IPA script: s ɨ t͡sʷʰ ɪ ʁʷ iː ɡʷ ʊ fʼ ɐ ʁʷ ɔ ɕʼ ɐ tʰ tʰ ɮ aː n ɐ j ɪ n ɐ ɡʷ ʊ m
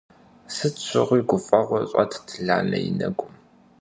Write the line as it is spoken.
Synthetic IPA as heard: s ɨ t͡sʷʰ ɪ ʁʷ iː ɡʷ ʊ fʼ ɐ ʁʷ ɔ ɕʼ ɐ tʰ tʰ ɮ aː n ɐ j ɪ n ɐ ɡʷ ʊ m